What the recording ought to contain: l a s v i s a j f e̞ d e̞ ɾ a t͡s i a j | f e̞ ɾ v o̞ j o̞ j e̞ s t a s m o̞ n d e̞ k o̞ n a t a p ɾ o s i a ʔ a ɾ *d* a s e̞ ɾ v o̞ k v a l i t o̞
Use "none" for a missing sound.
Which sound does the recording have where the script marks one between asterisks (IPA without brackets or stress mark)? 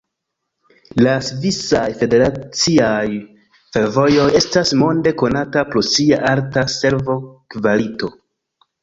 t